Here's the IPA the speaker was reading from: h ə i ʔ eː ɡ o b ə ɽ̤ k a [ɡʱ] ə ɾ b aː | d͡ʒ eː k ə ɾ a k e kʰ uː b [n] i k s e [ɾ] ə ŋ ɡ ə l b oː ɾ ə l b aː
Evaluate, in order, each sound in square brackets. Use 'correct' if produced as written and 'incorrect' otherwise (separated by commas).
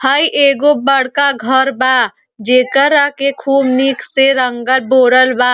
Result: correct, correct, correct